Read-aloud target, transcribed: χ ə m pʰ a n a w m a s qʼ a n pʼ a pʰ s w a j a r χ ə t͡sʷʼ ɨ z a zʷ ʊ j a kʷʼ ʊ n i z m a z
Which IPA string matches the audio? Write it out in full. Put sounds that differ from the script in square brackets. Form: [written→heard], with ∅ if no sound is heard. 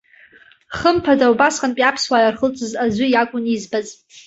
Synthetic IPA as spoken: χ ə m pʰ a [n→d] a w [m→b] a s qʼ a n pʼ a pʰ s w a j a r χ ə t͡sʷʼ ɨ z a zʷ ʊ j a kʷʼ ʊ n i z [m→b] a z